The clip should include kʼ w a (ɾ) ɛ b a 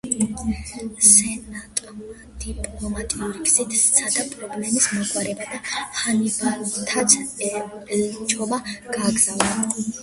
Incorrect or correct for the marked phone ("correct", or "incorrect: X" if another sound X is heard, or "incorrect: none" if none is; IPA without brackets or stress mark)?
correct